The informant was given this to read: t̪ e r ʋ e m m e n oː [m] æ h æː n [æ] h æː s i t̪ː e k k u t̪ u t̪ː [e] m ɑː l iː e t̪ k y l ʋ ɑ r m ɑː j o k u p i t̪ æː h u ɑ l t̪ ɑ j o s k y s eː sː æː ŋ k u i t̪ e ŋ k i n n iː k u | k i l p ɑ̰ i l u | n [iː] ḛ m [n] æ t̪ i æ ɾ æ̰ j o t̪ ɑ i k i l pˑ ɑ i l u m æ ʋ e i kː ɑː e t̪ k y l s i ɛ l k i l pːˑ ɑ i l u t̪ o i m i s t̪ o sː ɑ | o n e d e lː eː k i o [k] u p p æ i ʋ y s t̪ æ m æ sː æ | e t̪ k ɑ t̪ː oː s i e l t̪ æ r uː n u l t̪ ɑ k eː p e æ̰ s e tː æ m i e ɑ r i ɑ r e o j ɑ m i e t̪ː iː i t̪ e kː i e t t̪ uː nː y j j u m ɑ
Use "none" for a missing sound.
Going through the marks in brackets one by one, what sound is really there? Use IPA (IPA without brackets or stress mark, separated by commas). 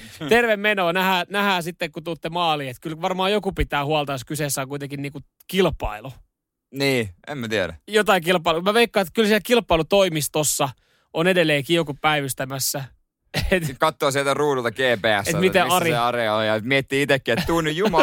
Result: n, æ, e, iː, m, k